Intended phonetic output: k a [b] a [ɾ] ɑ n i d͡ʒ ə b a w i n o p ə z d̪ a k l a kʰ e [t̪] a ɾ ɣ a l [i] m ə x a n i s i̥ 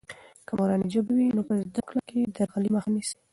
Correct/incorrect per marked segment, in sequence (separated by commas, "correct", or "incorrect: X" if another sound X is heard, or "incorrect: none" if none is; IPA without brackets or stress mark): incorrect: m, correct, incorrect: d̪, correct